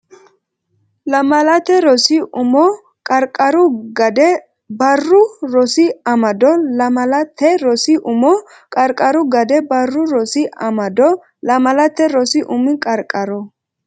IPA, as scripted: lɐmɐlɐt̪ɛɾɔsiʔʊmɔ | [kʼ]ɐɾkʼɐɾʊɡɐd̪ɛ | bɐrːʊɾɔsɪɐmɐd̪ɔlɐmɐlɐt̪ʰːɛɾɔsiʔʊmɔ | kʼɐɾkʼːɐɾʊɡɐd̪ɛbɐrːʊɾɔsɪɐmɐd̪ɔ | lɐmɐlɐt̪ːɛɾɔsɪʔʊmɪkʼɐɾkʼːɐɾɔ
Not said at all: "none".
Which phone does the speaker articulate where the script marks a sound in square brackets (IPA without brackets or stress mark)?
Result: kʼ